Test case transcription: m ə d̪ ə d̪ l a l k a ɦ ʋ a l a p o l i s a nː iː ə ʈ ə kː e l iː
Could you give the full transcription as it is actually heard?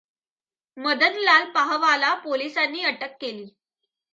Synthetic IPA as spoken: m ə d̪ ə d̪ l a l p a ɦ ʋ a l a p o l i s a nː iː ə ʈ ə kː e l iː

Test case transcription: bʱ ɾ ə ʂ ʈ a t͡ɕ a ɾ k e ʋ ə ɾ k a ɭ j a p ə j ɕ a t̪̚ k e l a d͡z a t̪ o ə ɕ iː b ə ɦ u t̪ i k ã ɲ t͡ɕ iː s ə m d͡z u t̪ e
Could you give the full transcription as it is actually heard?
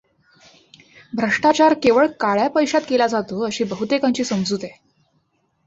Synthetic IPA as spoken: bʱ ɾ ə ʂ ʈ a t͡ɕ a ɾ k e ʋ ə ɭ k a ɭ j a p ə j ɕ a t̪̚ k e l a d͡z a t̪ o ə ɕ iː b ə ɦ u t̪ e k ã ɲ t͡ɕ iː s ə m d͡z u t̪ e

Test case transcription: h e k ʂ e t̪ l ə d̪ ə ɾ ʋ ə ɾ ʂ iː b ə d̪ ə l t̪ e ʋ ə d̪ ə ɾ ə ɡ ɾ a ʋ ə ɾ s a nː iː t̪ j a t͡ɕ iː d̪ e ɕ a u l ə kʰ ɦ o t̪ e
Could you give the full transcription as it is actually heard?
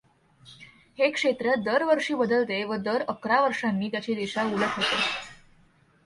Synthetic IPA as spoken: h e k ʂ e t̪ ɾ ə d̪ ə ɾ ʋ ə ɾ ʂ iː b ə d̪ ə l t̪ e ʋ ə d̪ ə ɾ ə k ɾ a ʋ ə ɾ ʂ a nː iː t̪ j a t͡ɕ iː d̪ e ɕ a u l ə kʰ ɦ o t̪ e

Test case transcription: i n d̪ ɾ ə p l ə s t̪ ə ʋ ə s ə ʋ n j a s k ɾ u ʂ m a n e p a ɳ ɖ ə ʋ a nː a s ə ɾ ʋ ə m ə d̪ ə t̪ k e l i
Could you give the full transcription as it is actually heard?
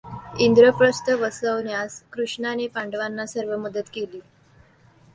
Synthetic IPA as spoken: i n d̪ ɾ ə p ɾ ə s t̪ ə ʋ ə s ə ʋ n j a s k ɾ u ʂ ɳ a n e p a ɳ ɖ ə ʋ a nː a s ə ɾ ʋ ə m ə d̪ ə t̪ k e l iː

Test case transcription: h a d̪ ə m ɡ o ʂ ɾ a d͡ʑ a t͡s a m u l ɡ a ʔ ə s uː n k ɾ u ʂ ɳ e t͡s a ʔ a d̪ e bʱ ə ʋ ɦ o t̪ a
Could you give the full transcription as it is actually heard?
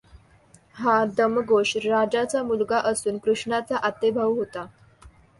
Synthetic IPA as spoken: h a d̪ ə m ɡ o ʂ ɾ a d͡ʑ a t͡s a m u l ɡ a ʔ ə s uː n k ɾ u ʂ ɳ a t͡s a ʔ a t̪ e bʱ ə ʋ ɦ o t̪ a

